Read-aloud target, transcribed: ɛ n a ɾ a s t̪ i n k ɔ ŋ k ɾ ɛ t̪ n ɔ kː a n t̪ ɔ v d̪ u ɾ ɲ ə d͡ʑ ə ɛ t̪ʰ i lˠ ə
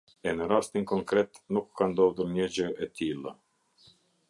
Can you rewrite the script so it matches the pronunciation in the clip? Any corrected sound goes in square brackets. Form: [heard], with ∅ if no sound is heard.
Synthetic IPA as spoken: ɛ n [ə] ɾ a s t̪ i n k ɔ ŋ k ɾ ɛ t̪ n [u] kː a n [d̪] ɔ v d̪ u ɾ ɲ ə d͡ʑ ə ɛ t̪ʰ i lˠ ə

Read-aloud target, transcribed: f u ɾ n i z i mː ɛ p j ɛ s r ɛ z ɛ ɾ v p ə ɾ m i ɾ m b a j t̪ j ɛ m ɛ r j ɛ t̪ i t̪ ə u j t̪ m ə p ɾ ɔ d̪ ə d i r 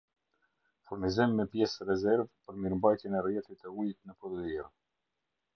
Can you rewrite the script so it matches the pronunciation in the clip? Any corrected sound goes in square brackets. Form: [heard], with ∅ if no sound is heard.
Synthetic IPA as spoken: f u ɾ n i z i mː ɛ p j ɛ s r ɛ z ɛ ɾ v p ə ɾ m i ɾ m b a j t̪ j ɛ [n] ɛ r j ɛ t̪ i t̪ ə u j t̪ [n] ə p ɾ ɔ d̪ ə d i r

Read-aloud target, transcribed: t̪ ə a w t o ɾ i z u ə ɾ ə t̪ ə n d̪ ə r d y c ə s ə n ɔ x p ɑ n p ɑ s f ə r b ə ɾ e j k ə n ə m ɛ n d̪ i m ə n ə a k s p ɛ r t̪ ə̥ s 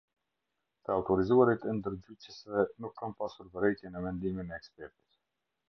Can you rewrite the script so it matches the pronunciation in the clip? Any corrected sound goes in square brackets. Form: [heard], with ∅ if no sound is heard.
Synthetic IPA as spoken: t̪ ə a w t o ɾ i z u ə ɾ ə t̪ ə n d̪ ə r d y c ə s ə n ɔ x [k] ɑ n p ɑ s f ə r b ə ɾ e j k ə n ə m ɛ n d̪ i m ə n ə [ɛ] k s p ɛ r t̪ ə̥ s

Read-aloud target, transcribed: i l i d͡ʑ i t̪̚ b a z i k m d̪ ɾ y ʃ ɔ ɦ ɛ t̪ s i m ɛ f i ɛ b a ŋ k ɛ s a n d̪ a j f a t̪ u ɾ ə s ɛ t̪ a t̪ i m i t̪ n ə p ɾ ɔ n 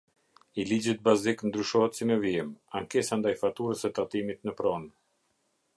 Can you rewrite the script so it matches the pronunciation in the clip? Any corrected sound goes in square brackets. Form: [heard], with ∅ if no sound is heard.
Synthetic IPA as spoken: i l i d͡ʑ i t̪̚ b a z i k [n] d̪ ɾ y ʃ ɔ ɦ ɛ t̪ s i m ɛ [v] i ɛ [m] a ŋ k ɛ s a n d̪ a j f a t̪ u ɾ ə s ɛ t̪ a t̪ i m i t̪ n ə p ɾ ɔ n

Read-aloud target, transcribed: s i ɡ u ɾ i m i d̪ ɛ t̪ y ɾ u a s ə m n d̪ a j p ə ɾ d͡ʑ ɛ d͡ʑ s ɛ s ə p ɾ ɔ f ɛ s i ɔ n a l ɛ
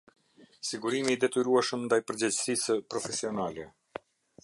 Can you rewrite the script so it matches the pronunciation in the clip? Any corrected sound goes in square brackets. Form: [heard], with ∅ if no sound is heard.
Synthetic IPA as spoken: s i ɡ u ɾ i m i d̪ ɛ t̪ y ɾ u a [ʃ] ə m n d̪ a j p ə ɾ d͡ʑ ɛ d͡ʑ s [i] s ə p ɾ ɔ f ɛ s i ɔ n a l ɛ

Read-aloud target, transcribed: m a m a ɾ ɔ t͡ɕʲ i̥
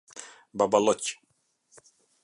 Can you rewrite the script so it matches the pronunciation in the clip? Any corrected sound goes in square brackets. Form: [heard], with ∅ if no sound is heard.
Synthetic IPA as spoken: [b] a [b] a [l] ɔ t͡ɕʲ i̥

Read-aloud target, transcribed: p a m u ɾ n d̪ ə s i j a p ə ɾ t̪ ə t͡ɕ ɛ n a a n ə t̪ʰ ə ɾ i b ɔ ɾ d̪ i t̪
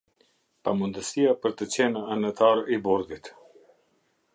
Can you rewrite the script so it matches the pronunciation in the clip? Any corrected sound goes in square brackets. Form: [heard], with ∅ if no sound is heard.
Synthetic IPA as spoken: p a m u [∅] n d̪ ə s i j a p ə ɾ t̪ ə t͡ɕ ɛ n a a n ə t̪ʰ [a] ɾ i b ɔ ɾ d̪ i t̪

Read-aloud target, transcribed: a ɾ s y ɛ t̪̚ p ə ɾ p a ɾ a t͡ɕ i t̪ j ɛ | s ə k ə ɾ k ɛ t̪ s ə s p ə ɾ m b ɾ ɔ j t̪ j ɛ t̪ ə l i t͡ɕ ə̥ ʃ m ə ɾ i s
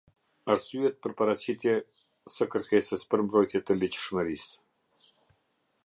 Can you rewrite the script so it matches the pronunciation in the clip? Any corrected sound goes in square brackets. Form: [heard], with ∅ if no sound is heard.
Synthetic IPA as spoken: a ɾ s y ɛ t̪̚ p ə ɾ p a ɾ a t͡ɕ i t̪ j ɛ | s ə k ə ɾ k ɛ [∅] s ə s p ə ɾ m b ɾ ɔ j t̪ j ɛ t̪ ə l i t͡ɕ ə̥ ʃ m ə ɾ i s

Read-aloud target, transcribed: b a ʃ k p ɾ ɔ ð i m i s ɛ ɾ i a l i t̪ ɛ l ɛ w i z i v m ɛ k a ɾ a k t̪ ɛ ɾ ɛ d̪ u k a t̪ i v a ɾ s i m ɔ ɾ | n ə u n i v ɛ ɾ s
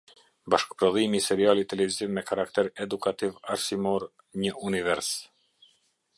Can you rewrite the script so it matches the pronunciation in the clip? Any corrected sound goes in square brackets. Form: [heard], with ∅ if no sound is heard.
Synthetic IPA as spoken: b a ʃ k p ɾ ɔ ð i m i s ɛ ɾ i a l i t̪ ɛ l ɛ [v] i z i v m ɛ k a ɾ a k t̪ ɛ ɾ ɛ d̪ u k a t̪ i v a ɾ s i m ɔ ɾ | [ɲ] ə u n i v ɛ ɾ s

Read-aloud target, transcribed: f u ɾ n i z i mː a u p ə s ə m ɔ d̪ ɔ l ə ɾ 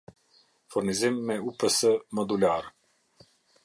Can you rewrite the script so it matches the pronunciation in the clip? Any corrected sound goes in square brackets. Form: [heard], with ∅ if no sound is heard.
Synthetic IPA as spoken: f u ɾ n i z i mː [ɛ] u p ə s ə m ɔ d̪ [u] l [a] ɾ

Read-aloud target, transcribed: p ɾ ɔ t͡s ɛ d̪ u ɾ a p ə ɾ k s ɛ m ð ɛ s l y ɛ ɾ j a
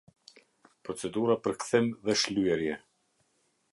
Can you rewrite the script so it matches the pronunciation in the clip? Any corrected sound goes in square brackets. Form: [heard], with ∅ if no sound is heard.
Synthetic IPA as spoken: p ɾ ɔ t͡s ɛ d̪ u ɾ a p ə ɾ k [θ] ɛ m ð ɛ [ʃ] l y ɛ ɾ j [ɛ]

